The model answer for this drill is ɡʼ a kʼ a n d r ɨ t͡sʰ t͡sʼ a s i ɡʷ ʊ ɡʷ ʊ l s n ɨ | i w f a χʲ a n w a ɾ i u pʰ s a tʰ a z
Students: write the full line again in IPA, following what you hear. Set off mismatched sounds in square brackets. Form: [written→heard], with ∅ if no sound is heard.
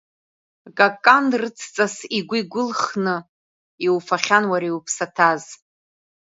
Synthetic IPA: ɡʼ a kʼ a n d r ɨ t͡sʰ t͡sʼ a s i ɡʷ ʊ ɡʷ ʊ l [s→χ] n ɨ | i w f a χʲ a n w a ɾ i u pʰ s a tʰ a z